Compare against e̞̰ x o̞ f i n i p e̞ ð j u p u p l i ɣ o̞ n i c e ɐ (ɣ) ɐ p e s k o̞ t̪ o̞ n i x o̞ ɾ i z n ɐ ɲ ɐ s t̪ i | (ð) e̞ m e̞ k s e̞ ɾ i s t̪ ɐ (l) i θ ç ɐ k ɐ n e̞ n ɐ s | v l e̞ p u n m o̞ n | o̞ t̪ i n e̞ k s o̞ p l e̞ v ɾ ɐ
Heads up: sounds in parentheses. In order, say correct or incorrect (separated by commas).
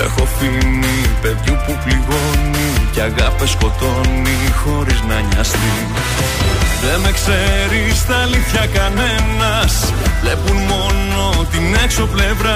correct, correct, correct